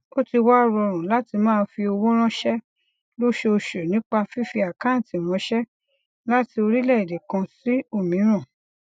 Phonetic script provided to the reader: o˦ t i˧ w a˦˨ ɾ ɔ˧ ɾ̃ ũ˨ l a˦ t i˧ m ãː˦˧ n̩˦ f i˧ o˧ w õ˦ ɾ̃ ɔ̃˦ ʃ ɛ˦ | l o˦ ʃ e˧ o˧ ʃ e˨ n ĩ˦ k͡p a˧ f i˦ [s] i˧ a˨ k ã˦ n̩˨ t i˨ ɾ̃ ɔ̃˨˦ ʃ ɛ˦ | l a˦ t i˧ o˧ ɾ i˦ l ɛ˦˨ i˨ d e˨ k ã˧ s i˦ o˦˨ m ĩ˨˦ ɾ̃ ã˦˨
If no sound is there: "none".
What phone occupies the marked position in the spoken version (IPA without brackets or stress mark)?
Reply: f